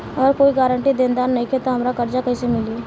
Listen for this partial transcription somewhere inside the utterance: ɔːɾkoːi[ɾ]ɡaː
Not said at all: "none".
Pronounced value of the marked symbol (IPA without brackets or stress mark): none